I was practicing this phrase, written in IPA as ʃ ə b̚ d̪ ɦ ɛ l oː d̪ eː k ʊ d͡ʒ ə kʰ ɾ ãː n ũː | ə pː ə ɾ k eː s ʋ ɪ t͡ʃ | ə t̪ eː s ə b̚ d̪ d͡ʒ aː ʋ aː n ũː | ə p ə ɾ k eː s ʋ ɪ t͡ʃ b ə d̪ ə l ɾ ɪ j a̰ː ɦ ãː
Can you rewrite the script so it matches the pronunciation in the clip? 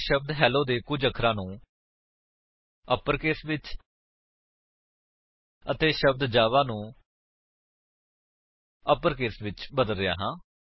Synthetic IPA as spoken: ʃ ə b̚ d̪ ɦ ɛː l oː d̪ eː k ʊ d͡ʒ ə kʰ ɾ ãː n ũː | ə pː ə ɾ k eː s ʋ ɪ t͡ʃ | ə t̪ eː ʃ ə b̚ d̪ d͡ʒ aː ʋ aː n ũː | ə p ə ɾ k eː s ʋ ɪ t͡ʃ b ə d̪ ə l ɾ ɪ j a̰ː ɦ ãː